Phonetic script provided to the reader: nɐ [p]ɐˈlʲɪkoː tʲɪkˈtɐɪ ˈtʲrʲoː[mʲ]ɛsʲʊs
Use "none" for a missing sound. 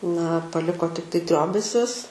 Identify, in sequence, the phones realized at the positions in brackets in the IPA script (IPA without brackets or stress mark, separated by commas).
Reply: p, bʲ